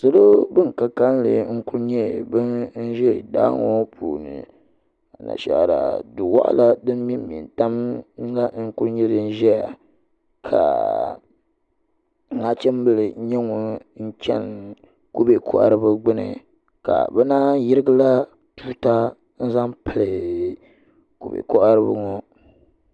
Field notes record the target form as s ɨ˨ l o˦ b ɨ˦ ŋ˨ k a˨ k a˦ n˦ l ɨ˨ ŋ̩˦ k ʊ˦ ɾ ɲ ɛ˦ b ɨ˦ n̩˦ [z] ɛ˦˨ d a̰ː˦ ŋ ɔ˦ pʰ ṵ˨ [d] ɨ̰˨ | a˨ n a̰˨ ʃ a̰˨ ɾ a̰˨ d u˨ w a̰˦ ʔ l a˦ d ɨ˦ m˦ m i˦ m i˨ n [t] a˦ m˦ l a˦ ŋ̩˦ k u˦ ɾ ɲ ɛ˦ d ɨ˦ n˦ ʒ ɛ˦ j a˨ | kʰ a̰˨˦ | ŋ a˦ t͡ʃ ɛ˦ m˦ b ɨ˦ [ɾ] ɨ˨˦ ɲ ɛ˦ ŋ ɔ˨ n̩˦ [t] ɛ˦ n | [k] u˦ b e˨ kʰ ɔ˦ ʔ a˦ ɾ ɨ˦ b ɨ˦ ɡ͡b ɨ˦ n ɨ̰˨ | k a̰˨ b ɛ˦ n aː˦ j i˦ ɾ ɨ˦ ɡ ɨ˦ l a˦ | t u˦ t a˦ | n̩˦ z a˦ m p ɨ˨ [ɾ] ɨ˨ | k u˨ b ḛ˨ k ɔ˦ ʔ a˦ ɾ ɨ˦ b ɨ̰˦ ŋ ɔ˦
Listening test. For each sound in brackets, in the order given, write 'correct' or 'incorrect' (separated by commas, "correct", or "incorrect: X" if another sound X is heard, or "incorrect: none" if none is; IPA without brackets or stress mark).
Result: incorrect: ʒ, incorrect: n, correct, incorrect: l, incorrect: t͡ʃ, correct, incorrect: l